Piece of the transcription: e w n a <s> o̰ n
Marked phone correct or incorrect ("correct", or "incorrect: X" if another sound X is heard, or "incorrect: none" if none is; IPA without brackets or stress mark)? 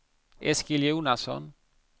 correct